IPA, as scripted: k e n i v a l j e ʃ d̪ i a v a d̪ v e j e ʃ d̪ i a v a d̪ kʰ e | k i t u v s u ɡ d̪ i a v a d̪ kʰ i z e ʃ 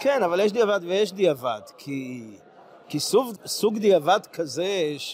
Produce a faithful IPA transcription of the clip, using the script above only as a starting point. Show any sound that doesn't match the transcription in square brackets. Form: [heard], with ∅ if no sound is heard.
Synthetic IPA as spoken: k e n [a] v a l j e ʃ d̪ i a v a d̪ v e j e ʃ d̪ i a v a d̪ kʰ [i] | k i [s] u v s u ɡ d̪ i a v a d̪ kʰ [a] z e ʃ